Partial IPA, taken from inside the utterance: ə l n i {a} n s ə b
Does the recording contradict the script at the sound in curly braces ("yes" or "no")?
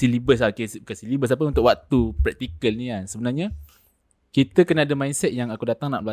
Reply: no